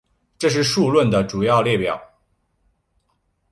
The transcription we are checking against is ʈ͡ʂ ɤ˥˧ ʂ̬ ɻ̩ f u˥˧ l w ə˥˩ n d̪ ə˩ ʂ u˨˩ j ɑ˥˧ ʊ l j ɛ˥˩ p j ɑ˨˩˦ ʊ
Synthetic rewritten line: ʈ͡ʂ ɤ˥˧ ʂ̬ ɻ̩ ʂ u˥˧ l w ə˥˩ n d̪ ə˩ ʈ͡ʂ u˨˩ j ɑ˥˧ ʊ l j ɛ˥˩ p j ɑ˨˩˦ ʊ